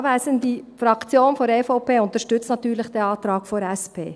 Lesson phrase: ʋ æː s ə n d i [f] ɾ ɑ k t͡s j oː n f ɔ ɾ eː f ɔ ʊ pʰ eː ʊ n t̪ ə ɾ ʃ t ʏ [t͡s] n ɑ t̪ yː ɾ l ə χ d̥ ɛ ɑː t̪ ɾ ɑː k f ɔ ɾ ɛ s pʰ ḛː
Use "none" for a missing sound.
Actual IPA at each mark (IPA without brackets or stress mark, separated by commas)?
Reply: f, t͡s